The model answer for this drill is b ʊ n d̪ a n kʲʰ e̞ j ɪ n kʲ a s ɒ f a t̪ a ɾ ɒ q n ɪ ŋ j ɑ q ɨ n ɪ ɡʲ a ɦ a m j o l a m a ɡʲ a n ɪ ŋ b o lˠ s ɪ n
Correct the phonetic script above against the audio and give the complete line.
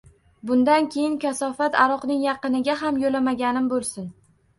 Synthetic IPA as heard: b ʊ n d̪ a n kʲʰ e̞ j ɪ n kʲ a s ɒ f a t̪ a ɾ ɒ q n ɪ ŋ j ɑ q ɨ n ɪ ɡʲ a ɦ a m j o l a m a ɡʲ a n ɪ m b o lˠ s ɪ n